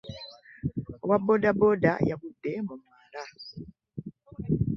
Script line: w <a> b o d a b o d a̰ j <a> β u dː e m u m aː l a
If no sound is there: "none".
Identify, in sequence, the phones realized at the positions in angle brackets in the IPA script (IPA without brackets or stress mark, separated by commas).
a, a